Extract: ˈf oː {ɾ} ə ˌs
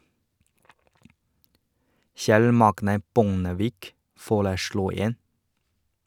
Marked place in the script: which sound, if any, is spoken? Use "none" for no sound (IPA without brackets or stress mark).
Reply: ɭ